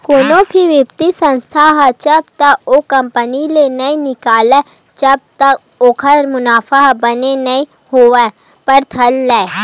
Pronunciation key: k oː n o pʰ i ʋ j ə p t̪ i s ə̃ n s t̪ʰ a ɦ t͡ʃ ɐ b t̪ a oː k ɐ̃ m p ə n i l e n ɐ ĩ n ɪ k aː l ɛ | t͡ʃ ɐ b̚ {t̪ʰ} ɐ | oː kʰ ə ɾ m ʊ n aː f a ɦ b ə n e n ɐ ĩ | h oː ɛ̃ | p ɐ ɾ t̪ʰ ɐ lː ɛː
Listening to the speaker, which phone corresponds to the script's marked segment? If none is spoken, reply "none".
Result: t̪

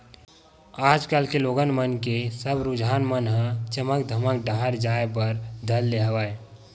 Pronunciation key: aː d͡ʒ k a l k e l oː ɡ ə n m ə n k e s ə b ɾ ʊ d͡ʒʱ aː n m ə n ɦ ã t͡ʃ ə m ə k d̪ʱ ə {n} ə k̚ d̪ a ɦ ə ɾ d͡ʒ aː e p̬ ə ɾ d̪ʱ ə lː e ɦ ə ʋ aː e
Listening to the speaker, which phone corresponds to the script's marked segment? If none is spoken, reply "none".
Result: m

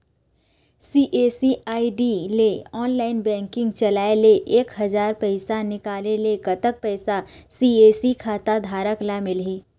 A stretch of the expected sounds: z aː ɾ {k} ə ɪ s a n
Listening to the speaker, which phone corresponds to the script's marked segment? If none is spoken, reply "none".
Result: p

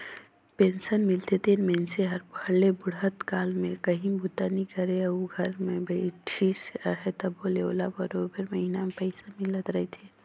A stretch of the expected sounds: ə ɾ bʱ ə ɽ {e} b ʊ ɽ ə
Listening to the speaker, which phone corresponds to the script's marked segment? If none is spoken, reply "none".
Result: e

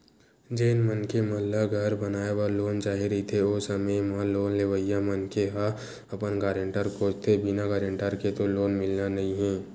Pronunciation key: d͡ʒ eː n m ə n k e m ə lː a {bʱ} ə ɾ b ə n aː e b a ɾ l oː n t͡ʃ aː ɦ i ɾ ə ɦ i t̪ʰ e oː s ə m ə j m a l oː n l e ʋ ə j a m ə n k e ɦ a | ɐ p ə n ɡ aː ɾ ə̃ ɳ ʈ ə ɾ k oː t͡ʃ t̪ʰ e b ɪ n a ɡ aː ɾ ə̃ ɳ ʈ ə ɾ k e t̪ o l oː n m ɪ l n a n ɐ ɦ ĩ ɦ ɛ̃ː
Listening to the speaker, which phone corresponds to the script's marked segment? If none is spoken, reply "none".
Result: ɡʱ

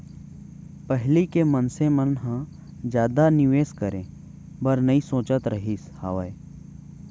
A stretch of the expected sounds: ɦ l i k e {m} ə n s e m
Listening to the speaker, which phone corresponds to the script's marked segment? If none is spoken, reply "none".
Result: m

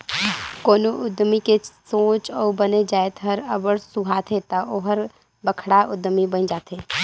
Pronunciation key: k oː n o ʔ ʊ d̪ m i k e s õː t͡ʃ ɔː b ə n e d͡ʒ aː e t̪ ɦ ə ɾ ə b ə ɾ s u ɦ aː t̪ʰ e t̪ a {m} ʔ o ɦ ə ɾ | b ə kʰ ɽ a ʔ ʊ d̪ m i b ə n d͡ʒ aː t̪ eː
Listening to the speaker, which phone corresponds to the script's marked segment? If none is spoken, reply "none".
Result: none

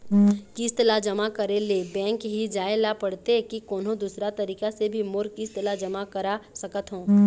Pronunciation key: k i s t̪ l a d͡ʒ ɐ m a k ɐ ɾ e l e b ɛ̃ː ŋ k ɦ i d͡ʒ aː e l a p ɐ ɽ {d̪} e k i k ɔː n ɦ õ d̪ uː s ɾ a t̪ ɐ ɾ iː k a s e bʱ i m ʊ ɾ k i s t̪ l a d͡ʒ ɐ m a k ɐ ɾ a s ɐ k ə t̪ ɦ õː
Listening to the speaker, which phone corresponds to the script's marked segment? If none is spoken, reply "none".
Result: t̪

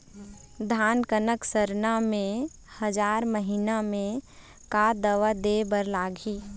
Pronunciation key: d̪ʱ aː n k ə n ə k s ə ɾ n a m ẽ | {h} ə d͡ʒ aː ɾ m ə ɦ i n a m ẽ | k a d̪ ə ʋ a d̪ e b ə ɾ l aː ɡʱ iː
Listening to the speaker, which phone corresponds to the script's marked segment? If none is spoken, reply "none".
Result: h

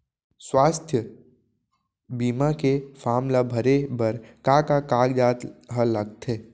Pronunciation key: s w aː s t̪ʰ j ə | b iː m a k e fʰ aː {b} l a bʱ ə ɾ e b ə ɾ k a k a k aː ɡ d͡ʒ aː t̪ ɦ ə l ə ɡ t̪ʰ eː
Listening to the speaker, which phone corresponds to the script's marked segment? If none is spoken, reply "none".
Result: m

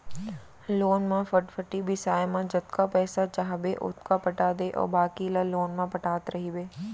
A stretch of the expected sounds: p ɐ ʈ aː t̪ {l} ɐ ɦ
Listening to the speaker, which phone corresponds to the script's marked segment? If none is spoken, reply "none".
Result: ɾ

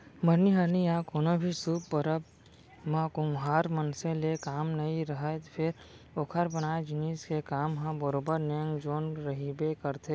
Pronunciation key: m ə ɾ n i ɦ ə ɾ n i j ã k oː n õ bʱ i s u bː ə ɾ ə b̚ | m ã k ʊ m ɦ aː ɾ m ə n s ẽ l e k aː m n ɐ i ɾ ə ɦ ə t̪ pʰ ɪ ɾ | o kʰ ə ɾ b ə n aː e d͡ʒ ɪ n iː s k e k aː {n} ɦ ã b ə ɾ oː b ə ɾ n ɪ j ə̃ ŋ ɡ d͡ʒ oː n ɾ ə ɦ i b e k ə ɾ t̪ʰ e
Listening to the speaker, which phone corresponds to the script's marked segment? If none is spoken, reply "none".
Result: m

